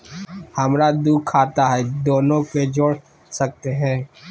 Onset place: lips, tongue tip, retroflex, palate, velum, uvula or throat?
throat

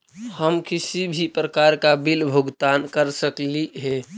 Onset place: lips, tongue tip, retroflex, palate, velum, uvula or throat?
throat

